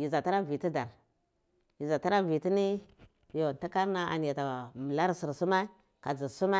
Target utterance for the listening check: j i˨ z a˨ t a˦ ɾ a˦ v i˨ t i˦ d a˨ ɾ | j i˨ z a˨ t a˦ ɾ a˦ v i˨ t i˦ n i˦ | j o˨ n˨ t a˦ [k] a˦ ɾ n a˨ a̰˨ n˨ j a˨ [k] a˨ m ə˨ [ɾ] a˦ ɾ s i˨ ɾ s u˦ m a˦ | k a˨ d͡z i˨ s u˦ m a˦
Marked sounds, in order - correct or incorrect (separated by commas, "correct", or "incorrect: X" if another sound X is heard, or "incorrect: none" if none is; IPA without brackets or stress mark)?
correct, incorrect: t, incorrect: l